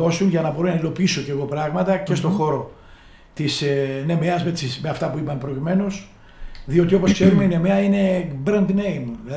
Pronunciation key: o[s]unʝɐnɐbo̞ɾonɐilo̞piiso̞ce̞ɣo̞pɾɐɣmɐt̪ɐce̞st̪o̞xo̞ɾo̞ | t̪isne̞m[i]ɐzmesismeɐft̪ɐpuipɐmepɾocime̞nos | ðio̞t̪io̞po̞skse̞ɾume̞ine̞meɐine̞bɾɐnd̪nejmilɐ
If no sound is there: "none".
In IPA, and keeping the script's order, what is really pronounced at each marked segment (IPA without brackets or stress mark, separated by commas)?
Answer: s, e